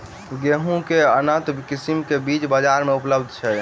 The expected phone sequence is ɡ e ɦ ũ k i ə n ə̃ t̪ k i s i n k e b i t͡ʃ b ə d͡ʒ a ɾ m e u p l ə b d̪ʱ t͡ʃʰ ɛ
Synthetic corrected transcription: ɡ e ɦ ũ k e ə n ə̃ t̪ k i s i m k e b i t͡ʃ b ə d͡ʒ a ɾ m e u p l ə b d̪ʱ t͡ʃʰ ɛ